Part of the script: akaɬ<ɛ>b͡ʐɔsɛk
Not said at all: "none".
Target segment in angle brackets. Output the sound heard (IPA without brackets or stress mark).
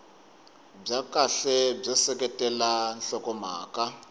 ɛ